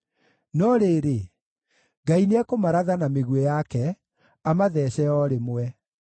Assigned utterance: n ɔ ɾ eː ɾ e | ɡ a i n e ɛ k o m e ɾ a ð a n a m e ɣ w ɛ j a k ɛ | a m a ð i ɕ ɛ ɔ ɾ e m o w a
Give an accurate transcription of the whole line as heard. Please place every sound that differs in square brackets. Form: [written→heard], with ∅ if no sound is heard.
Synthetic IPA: n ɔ ɾ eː ɾ e | ɡ a i n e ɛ k o m [e→a] ɾ a ð a n a m e ɣ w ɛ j a k ɛ | a m a ð [i→ɛ] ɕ ɛ ɔ ɾ e m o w [a→ɛ]